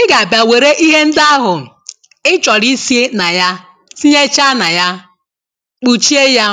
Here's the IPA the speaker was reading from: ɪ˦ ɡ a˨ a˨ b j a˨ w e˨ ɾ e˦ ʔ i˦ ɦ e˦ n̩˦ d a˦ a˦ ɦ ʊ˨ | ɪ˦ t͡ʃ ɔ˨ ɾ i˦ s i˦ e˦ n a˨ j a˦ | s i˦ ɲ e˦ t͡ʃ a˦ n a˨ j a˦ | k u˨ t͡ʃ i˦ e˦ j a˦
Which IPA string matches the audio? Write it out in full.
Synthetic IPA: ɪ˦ ɡ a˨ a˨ b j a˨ w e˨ ɾ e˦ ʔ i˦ ɦ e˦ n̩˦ d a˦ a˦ ɦ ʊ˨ | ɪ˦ t͡ʃ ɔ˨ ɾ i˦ s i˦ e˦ n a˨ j a˦ | s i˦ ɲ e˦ t͡ʃ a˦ n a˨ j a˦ | k͡p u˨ t͡ʃ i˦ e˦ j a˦